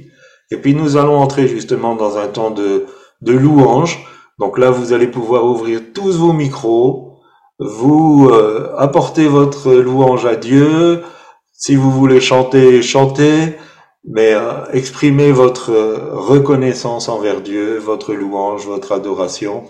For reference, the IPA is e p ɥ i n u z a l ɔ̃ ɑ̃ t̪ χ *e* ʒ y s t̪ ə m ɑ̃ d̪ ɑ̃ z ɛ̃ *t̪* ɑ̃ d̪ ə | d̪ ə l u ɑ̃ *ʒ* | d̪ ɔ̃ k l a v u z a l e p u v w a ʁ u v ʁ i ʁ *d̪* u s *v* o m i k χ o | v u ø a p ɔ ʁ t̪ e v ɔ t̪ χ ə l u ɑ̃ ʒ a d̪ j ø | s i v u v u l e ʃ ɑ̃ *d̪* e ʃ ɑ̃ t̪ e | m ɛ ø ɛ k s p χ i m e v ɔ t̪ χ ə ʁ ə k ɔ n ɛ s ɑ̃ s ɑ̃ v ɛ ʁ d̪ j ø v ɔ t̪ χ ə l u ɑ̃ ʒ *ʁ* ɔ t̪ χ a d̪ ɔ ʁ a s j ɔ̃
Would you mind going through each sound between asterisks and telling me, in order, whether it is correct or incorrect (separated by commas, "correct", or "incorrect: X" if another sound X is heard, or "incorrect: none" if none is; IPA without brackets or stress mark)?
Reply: correct, correct, correct, incorrect: t̪, correct, incorrect: t̪, incorrect: v